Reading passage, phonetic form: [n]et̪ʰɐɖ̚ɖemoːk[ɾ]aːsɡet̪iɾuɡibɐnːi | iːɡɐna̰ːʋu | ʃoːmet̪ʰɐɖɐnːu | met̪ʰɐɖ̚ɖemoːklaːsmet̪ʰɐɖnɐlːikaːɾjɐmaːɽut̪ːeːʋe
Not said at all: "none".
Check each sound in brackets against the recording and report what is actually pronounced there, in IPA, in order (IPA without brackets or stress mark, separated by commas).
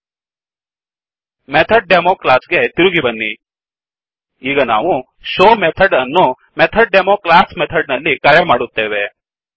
m, l